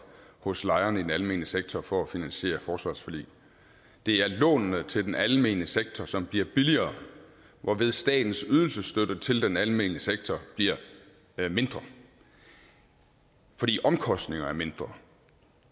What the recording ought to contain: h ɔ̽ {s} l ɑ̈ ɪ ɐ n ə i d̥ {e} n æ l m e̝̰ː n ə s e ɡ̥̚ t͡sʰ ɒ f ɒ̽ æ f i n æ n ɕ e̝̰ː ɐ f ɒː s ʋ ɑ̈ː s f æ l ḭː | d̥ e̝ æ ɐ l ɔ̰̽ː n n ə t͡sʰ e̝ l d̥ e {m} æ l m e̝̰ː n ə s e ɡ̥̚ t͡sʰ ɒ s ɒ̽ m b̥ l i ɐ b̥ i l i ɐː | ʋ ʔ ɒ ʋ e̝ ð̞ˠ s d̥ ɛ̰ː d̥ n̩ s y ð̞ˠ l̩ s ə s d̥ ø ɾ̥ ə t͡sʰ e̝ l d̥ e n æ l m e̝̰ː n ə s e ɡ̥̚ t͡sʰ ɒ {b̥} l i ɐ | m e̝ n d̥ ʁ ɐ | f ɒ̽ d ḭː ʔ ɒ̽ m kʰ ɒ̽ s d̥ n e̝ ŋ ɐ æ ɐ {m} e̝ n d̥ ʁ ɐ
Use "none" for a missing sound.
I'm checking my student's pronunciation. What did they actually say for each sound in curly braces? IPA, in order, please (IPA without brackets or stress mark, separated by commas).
s, e, n, b̥, m